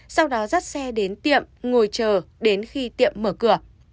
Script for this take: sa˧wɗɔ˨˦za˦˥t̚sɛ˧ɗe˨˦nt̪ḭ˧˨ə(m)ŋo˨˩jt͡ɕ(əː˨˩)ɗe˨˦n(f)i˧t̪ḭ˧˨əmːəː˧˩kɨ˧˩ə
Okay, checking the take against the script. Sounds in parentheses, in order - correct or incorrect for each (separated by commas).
correct, correct, incorrect